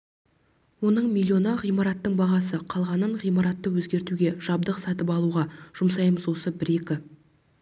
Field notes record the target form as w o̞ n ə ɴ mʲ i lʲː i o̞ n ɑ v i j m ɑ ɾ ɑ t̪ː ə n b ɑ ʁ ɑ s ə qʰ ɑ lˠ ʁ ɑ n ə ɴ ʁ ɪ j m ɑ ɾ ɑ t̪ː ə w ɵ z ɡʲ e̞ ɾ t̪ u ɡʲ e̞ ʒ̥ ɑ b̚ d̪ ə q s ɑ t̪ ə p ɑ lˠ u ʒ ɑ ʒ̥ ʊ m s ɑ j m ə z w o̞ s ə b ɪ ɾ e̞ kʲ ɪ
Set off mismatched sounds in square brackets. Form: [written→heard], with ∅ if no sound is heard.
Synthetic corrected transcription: w o̞ n ə ɴ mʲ i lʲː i o̞ n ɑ [v→ʁ] i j m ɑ ɾ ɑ t̪ː ə [n→ɴ] b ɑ ʁ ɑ s ə qʰ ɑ lˠ ʁ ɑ n ə ɴ ʁ [ɪ→i] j m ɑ ɾ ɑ t̪ː ə w ɵ z ɡʲ e̞ ɾ t̪ u ɡʲ e̞ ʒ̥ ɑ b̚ d̪ ə q s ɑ t̪ ə p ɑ lˠ u [ʒ→ʁ] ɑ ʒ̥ ʊ m s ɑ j m ə z w o̞ s ə b ɪ ɾ e̞ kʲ ɪ